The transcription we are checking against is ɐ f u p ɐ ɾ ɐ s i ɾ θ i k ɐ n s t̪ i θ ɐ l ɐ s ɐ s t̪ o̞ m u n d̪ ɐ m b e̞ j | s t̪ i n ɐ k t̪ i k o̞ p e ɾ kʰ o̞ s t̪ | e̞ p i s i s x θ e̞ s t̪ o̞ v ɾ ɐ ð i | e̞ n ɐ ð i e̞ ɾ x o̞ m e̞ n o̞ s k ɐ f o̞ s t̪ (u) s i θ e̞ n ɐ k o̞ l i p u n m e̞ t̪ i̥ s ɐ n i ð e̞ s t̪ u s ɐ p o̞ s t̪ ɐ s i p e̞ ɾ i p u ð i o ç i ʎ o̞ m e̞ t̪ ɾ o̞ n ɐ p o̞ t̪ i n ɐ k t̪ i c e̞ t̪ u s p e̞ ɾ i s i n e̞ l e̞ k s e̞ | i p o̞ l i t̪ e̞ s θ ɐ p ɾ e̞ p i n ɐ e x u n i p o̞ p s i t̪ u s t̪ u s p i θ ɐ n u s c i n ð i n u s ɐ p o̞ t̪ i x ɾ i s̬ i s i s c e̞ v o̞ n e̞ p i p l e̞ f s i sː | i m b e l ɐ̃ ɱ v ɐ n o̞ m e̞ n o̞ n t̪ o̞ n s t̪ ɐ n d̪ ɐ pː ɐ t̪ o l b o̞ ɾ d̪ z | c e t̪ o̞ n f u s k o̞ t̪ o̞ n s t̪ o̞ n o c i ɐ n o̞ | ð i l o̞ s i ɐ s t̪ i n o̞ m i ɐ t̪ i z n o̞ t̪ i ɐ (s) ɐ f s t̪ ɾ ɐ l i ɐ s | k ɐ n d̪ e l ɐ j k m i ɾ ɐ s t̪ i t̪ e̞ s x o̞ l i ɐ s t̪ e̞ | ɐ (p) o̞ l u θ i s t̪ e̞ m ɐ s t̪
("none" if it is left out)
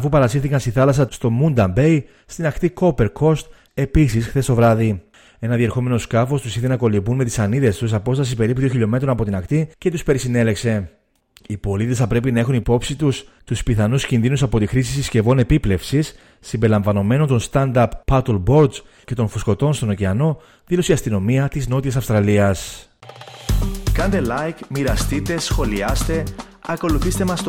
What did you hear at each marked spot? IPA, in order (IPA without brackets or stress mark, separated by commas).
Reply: u, s, k